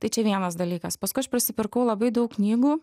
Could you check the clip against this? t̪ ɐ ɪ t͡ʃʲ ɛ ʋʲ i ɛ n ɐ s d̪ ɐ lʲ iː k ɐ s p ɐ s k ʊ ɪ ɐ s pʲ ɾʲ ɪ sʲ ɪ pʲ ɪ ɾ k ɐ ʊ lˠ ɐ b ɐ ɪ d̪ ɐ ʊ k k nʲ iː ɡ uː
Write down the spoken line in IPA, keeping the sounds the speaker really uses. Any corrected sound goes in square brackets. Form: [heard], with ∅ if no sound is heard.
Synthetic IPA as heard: t̪ ɐ ɪ t͡ʃʲ ɛ ʋʲ i ɛ n ɐ s d̪ ɐ lʲ iː k ɐ s p ɐ s k ʊ ɪ ɐ [ʃ] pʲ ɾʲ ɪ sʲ ɪ pʲ ɪ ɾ k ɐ ʊ lˠ ɐ b ɐ ɪ d̪ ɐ ʊ k k nʲ iː ɡ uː

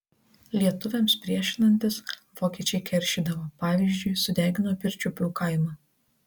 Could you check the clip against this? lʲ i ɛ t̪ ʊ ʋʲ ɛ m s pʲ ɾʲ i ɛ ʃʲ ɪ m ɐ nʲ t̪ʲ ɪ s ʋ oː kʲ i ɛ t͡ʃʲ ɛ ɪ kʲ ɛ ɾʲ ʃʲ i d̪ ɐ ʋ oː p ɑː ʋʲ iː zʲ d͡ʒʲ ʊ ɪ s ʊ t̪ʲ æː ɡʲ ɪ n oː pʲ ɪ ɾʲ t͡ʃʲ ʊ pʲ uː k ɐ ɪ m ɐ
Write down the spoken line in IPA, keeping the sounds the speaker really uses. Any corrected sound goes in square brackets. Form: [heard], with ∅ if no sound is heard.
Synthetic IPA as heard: lʲ i ɛ t̪ ʊ ʋʲ ɛ m s pʲ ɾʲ i ɛ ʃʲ ɪ [n] ɐ nʲ t̪ʲ ɪ s ʋ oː kʲ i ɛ t͡ʃʲ ɛ ɪ kʲ ɛ ɾʲ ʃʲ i d̪ ɐ ʋ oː p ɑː ʋʲ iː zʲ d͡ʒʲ ʊ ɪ s ʊ [d̪ʲ] æː ɡʲ ɪ n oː pʲ ɪ ɾʲ t͡ʃʲ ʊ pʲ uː k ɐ ɪ m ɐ

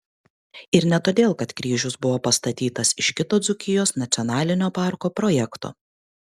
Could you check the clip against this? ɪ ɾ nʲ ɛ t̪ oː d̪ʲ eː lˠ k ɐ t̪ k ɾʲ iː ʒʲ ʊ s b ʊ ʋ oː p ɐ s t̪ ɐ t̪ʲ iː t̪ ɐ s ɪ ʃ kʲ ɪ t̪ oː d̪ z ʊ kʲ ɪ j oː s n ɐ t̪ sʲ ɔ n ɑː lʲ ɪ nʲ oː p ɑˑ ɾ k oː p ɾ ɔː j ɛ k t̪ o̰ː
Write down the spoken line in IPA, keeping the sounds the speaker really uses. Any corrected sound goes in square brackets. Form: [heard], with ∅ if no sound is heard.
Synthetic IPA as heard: ɪ ɾ nʲ ɛ t̪ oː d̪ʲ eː lˠ k ɐ t̪ k ɾʲ iː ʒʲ ʊ s b ʊ ʋ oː p ɐ s t̪ ɐ t̪ʲ iː t̪ ɐ s ɪ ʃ kʲ ɪ t̪ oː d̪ z ʊ kʲ ɪ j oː s n ɐ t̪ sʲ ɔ n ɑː lʲ ɪ nʲ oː p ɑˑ ɾ k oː p ɾ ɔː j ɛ k t̪ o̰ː

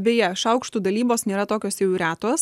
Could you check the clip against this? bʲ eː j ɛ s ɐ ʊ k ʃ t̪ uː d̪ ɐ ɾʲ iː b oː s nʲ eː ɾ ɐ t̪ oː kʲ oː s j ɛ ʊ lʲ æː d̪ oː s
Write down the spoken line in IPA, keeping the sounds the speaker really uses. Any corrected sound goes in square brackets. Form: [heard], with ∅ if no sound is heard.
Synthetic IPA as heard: bʲ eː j ɛ [ʃ] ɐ ʊ k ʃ t̪ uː d̪ ɐ [lʲ] iː b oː s nʲ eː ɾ ɐ t̪ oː kʲ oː s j ɛ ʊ [ɾʲ] æː [t̪] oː s

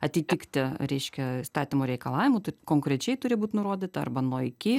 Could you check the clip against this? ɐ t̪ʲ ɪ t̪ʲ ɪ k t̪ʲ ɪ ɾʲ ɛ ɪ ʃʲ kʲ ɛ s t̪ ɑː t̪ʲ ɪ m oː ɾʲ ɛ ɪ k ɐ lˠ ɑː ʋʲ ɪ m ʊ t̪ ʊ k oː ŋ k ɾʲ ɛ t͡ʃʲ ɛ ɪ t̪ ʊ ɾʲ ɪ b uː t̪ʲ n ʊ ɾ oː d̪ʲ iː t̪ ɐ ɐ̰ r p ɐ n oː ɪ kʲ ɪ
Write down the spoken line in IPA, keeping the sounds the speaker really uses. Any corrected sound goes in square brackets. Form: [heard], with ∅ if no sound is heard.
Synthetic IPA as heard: ɐ t̪ʲ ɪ t̪ʲ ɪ k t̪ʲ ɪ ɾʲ ɛ ɪ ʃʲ kʲ ɛ s t̪ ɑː t̪ʲ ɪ m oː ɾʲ ɛ ɪ k ɐ lˠ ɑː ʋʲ ɪ m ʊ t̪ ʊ k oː ŋ k ɾʲ ɛ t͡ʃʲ ɛ ɪ t̪ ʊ ɾʲ ɪ b uː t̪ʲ n ʊ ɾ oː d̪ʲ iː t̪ ɐ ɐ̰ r [b] ɐ n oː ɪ kʲ ɪ

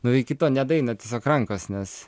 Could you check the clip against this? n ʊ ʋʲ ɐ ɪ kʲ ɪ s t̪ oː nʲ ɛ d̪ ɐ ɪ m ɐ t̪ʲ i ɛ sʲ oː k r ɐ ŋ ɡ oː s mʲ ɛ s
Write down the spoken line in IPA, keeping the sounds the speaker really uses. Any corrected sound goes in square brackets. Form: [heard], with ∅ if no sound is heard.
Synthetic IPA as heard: n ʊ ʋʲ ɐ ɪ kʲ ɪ [∅] t̪ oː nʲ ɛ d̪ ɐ ɪ [n] ɐ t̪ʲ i ɛ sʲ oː k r ɐ ŋ [k] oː s [nʲ] ɛ s

